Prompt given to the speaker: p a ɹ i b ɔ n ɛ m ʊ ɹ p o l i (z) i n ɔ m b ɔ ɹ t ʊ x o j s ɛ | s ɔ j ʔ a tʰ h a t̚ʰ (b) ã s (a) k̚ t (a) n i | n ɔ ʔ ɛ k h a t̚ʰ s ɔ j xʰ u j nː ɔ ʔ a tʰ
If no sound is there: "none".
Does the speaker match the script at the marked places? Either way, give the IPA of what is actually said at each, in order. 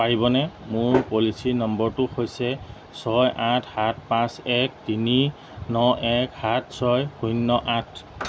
s, p, ɛ, i

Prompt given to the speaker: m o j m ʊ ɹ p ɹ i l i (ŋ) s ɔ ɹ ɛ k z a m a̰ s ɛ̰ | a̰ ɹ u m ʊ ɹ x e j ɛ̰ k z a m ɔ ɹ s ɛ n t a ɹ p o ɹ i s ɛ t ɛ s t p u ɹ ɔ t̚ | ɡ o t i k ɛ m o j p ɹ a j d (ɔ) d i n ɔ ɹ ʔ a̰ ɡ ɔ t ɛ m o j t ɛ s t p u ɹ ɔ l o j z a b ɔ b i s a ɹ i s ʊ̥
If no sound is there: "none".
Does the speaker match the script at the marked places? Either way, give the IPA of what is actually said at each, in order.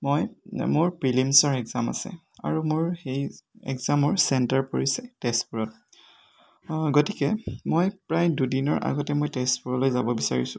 m, u

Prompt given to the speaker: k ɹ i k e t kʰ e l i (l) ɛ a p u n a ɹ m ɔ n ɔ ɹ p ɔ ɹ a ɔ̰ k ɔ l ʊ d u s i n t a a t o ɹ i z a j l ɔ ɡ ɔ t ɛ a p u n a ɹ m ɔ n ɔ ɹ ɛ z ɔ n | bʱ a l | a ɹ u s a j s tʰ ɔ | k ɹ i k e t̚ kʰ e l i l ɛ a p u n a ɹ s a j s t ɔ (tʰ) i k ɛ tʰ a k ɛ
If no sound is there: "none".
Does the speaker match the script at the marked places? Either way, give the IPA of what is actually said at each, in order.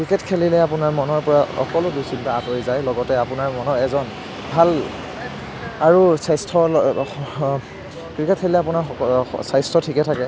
l, tʰ

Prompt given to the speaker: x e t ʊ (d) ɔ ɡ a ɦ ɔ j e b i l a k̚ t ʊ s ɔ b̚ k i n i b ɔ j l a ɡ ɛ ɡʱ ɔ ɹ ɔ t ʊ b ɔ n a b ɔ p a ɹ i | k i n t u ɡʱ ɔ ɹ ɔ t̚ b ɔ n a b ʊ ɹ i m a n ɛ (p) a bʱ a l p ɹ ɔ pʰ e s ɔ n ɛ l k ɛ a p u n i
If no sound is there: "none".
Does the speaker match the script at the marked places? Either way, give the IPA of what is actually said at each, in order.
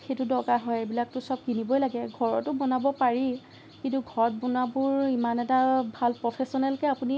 d, t

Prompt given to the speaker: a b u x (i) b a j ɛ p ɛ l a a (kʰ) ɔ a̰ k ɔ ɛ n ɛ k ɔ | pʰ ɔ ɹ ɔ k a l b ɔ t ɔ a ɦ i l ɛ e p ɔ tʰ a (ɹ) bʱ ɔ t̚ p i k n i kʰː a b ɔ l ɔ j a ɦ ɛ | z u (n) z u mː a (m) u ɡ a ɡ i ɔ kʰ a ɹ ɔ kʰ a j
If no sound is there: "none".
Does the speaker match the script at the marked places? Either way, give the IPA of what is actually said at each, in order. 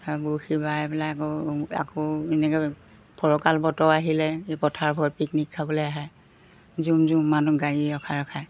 i, k, ɹ, m, n

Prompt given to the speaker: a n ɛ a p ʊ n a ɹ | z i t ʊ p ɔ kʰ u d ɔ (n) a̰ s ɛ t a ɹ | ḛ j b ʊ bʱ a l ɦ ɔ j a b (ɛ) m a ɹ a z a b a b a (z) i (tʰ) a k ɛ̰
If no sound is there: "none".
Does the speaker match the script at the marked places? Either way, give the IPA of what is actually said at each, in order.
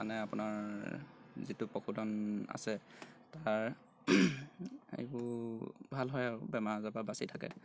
n, ɛ, s, tʰ

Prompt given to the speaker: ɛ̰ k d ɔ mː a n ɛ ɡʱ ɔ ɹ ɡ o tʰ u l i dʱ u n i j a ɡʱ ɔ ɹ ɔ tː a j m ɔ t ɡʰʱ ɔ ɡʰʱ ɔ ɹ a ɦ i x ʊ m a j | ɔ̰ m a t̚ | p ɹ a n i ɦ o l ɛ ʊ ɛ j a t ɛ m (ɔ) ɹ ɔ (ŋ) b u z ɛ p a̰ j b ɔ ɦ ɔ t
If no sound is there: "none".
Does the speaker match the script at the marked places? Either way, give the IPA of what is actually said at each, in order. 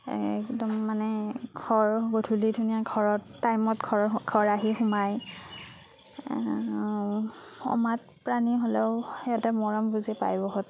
ɔ, m

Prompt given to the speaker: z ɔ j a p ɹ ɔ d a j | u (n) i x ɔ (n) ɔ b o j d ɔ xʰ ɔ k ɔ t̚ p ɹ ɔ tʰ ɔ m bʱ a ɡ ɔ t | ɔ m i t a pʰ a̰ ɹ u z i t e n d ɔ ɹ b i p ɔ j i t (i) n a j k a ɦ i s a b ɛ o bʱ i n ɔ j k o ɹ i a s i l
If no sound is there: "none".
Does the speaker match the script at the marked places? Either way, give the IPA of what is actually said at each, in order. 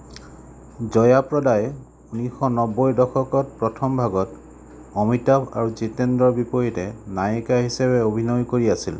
n, n, ɛ

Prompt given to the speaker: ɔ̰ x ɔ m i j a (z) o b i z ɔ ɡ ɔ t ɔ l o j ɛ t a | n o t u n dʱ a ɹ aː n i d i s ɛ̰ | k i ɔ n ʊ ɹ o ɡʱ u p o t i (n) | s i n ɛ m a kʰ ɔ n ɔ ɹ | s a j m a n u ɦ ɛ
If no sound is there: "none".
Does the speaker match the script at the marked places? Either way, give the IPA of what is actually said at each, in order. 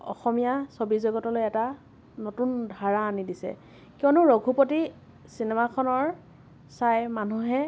s, none

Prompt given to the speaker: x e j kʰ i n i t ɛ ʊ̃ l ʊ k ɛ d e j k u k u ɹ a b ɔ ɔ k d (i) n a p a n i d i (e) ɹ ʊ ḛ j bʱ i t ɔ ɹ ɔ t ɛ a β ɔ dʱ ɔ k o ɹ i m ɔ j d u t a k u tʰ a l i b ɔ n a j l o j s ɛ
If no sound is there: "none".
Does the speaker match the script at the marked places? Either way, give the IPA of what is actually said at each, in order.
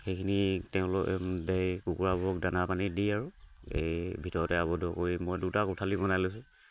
a, a

